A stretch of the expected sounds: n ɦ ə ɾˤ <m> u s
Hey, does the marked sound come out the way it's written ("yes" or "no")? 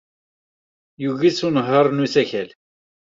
no